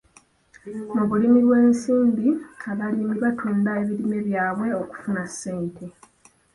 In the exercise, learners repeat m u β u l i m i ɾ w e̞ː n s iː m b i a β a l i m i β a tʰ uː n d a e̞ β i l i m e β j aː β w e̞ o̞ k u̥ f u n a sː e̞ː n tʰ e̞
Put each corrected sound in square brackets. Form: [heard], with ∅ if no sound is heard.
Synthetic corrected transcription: m u β u l i m i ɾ w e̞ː n s iː m b i a β a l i m i β a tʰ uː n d a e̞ β i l i m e β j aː β w e̞ o̞ k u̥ f u n a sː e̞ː n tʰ e̞